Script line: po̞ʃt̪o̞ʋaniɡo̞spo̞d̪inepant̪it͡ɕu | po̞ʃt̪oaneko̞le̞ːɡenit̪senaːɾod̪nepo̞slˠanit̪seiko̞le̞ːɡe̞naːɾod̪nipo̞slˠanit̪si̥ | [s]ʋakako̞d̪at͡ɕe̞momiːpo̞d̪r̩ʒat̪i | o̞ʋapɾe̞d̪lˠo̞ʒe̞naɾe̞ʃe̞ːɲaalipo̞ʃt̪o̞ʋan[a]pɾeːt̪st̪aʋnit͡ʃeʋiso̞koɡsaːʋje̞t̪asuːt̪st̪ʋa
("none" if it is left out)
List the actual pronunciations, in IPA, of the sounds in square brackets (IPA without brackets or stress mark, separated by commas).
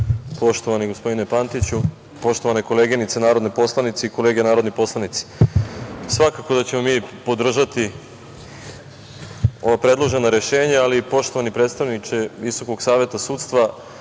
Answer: s, i